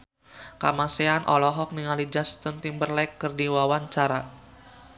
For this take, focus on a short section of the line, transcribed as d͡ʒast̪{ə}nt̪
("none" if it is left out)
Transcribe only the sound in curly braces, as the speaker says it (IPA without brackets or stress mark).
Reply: ə